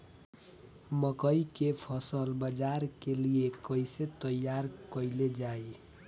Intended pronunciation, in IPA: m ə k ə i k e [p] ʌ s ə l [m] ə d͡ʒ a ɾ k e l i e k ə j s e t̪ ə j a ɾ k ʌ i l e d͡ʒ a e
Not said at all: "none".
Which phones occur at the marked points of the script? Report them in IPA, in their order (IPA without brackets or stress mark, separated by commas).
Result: pʰ, b